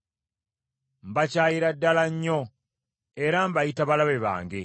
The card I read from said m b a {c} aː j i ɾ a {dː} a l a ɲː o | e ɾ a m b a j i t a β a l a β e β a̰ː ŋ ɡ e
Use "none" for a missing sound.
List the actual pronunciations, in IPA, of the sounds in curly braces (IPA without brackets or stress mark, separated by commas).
c, dː